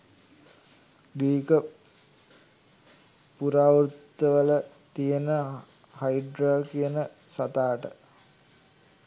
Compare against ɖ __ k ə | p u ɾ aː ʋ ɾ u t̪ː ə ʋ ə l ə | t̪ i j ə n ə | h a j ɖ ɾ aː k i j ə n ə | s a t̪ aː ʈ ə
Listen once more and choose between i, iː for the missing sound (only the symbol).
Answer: iː